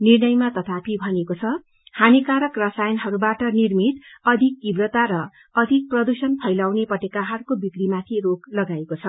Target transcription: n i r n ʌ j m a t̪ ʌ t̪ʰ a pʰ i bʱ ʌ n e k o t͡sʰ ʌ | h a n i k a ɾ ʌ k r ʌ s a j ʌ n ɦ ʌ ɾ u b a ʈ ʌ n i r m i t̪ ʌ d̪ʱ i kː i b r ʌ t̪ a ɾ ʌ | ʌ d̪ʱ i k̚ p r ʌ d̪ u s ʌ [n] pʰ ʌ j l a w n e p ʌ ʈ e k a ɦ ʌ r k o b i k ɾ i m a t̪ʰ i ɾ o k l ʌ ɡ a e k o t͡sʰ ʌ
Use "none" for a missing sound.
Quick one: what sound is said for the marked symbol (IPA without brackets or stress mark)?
n